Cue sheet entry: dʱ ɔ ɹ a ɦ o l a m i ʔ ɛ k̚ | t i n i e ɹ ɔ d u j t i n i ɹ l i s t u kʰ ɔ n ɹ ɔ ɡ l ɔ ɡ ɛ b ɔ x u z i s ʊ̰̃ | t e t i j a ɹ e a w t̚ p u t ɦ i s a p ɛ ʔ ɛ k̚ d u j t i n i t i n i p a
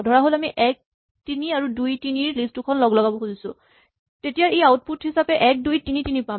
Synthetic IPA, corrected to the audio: dʱ ɔ ɹ a ɦ o l a m i ʔ ɛ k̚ | t i n i a ɹ u d u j t i n i ɹ l i s t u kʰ ɔ n l ɔ ɡ l ɔ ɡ a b ɔ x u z i s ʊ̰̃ | t e t i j a ɹ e a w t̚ p u t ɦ i s a p ɛ ʔ ɛ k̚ d u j t i n i t i n i p a